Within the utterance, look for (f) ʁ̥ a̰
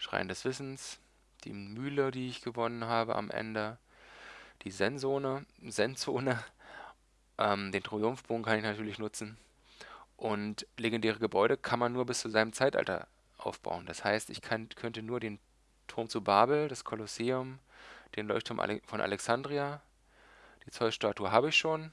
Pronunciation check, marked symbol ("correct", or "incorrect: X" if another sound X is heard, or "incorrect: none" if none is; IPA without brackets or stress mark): incorrect: ʃ